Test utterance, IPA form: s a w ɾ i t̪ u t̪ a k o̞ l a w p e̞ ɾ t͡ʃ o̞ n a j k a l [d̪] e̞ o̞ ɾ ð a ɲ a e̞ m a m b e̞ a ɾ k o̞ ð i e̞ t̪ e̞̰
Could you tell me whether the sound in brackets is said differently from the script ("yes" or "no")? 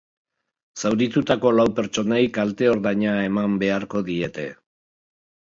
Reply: yes